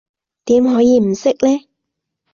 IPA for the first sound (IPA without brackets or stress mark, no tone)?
t̪